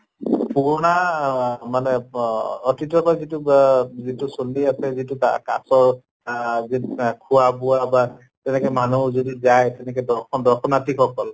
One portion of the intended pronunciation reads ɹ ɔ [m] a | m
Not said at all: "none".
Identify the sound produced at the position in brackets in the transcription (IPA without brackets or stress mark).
n